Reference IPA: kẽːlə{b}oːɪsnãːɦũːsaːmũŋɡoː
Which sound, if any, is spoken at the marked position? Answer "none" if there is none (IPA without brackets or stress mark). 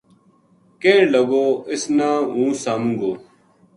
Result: ɡ